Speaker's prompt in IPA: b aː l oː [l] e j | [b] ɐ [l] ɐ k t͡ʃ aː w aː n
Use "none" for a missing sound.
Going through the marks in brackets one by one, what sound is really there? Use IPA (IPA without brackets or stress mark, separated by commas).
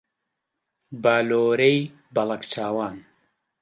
ɾ, b, l